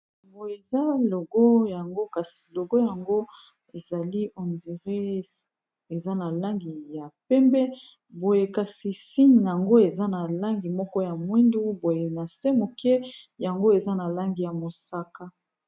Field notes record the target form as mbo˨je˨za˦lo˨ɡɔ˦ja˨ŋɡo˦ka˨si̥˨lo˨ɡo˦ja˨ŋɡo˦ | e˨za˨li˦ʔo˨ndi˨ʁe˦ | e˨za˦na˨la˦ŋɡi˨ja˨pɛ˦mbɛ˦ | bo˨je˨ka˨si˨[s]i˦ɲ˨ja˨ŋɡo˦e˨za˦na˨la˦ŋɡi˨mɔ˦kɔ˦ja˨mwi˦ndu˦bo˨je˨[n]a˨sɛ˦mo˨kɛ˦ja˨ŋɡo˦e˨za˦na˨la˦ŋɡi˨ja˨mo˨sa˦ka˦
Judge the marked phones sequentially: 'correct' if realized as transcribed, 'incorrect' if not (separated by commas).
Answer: correct, correct